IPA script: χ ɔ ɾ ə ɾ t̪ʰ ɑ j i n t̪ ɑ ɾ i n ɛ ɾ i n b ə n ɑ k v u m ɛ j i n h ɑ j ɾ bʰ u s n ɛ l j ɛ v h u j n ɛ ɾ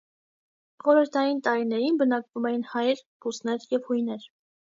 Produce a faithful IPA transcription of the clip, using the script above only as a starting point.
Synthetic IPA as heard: χ ɔ ɾ ə ɾ t̪ʰ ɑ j i n t̪ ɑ ɾ i n ɛ ɾ i n b ə n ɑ k v u m ɛ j i n h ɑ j ɾ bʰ u s n ɛ ɾ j ɛ v h u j n ɛ ɾ